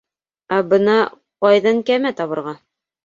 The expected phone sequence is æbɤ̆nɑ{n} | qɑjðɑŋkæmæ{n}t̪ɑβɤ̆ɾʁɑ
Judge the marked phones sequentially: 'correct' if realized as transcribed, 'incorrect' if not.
incorrect: none, incorrect: none

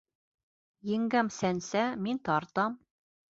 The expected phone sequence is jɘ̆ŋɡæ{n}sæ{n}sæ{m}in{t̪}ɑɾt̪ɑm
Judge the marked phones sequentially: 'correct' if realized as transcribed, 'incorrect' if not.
incorrect: m, correct, correct, correct

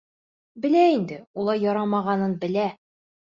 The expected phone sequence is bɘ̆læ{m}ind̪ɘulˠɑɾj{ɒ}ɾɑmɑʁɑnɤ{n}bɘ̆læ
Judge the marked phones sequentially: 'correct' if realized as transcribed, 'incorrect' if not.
incorrect: none, correct, correct

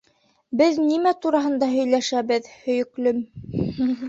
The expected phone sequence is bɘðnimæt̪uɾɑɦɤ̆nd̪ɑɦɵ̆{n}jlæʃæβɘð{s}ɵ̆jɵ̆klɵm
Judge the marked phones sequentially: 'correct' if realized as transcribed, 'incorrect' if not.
incorrect: none, incorrect: h

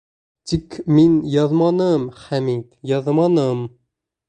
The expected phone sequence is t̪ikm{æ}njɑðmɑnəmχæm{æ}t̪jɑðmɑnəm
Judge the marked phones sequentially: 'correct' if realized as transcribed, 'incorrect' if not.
incorrect: i, incorrect: i

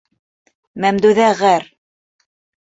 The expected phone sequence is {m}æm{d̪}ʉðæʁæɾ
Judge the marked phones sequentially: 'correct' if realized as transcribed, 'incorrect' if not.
correct, correct

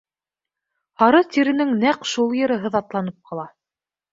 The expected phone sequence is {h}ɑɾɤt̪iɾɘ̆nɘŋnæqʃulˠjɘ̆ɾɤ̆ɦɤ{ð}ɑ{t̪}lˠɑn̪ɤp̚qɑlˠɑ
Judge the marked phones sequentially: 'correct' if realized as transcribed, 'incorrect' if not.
correct, correct, correct

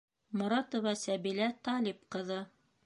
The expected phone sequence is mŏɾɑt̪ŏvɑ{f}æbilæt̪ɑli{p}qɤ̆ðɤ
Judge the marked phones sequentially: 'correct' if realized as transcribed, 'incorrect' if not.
incorrect: s, correct

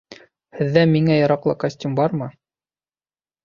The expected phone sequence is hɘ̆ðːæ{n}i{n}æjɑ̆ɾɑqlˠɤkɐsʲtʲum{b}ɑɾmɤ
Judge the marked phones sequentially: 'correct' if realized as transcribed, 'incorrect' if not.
incorrect: m, incorrect: ŋ, correct

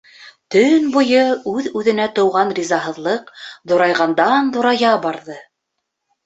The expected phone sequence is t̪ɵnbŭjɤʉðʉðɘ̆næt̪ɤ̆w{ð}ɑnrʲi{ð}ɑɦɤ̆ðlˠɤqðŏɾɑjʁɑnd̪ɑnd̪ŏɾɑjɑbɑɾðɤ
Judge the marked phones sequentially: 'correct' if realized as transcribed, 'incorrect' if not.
incorrect: ʁ, incorrect: z

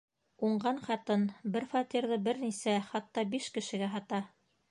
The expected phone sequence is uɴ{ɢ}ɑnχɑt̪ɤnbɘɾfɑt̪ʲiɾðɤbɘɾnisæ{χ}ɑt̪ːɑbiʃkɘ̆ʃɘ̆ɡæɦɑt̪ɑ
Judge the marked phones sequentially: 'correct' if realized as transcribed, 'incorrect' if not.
correct, correct

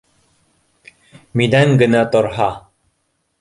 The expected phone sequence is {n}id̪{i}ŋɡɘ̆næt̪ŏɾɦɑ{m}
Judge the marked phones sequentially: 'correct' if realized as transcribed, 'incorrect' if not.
incorrect: m, incorrect: æ, incorrect: none

